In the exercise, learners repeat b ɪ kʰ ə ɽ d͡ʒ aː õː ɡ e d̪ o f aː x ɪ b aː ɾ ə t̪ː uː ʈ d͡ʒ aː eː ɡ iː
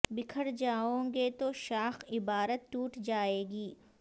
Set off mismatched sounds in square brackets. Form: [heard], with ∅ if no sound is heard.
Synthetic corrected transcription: b ɪ kʰ ə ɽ d͡ʒ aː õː ɡ e [t̪] o [ʃ] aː x ɪ b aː ɾ ə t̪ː uː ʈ d͡ʒ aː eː ɡ iː